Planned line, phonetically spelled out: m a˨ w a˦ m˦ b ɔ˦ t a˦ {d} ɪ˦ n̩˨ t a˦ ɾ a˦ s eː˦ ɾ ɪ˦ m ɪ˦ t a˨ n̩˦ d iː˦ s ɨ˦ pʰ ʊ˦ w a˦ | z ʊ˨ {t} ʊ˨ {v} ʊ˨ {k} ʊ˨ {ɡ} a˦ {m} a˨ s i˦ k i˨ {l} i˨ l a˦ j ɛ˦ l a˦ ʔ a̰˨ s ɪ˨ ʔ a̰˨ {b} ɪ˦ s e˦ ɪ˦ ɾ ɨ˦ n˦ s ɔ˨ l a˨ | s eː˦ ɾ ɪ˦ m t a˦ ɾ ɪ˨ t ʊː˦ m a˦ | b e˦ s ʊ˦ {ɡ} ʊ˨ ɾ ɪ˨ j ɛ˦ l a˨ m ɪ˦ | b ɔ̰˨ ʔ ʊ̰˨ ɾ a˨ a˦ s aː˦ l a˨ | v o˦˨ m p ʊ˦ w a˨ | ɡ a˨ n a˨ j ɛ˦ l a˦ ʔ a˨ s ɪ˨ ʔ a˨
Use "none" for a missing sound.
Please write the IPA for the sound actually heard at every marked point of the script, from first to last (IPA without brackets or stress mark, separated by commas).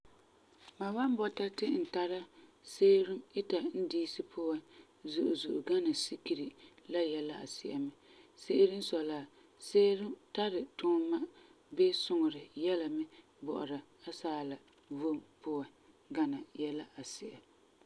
t, ʔ, z, ʔ, ɡ, n, ɾ, m, ŋ